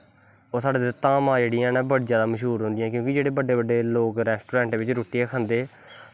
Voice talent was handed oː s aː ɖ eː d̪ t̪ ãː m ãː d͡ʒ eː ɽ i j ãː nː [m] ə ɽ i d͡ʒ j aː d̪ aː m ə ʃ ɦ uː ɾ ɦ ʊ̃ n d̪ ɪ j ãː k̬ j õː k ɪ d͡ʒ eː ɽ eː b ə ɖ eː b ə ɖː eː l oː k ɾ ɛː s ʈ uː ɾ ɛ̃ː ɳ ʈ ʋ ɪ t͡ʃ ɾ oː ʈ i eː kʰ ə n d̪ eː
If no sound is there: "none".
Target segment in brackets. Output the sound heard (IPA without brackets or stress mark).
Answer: b